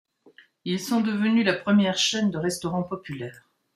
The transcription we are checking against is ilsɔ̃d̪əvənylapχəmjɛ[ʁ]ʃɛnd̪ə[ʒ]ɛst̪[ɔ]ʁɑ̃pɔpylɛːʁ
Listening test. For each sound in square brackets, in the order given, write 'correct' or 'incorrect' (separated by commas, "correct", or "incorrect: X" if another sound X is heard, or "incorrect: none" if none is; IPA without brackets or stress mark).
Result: correct, incorrect: ʁ, correct